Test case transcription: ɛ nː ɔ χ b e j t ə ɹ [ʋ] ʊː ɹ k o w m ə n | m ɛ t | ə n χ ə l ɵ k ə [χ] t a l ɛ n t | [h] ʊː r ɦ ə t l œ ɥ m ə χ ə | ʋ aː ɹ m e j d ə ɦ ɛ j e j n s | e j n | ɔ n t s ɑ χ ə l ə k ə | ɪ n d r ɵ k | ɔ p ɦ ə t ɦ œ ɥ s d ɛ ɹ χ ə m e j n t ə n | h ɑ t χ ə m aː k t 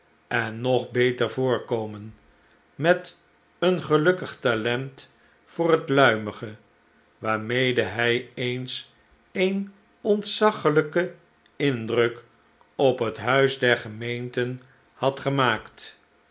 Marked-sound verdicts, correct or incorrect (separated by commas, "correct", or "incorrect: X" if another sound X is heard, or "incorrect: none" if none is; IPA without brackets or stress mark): incorrect: v, correct, incorrect: f